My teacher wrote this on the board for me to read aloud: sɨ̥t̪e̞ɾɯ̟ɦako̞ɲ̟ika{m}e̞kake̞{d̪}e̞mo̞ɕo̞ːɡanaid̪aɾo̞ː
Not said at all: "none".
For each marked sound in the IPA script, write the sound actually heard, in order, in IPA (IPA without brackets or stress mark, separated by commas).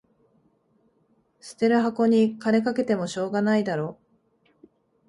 n, t̪